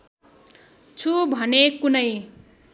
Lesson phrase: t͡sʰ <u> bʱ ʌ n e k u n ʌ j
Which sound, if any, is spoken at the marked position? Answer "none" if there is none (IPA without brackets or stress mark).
u